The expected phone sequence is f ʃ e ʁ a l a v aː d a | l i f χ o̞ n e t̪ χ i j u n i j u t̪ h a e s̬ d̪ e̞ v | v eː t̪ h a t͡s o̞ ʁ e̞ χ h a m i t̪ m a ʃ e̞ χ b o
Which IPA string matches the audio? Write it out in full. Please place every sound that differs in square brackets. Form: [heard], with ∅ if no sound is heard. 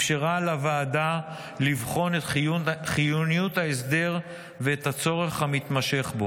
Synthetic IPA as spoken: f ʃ e ʁ a l a v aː d a | l i [v] χ o̞ n e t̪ χ i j u n i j u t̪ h a e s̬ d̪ e̞ [ʁ] | v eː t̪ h a t͡s o̞ ʁ e̞ χ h a m i t̪ m a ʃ e̞ χ b o